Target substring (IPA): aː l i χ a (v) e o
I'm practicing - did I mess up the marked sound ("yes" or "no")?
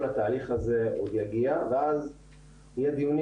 yes